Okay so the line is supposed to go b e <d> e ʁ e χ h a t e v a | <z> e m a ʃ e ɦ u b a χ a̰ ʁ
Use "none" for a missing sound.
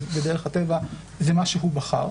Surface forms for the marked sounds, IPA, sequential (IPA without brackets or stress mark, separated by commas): d, z